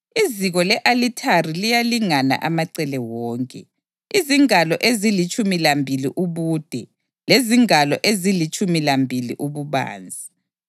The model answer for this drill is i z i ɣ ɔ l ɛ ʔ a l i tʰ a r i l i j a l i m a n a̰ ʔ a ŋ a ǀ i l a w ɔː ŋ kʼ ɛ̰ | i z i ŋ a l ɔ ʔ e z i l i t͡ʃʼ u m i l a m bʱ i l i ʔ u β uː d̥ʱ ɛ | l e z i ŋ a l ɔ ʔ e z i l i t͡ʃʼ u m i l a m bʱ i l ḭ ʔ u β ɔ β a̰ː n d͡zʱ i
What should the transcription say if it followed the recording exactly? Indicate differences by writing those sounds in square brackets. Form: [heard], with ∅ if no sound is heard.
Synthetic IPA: i z i ɣ ɔ l ɛ ʔ a l i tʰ a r i l i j a l i [ŋ] a n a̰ ʔ a [m] a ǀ [ɛ] l [ɛ] w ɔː ŋ kʼ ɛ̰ | i z i ŋ a l ɔ ʔ e z i l i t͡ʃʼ u m i l a m bʱ i l i ʔ u β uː d̥ʱ ɛ | l e z i ŋ a l ɔ ʔ e z i l i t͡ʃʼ u m i l a m bʱ i l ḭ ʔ u β [u] β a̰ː n d͡zʱ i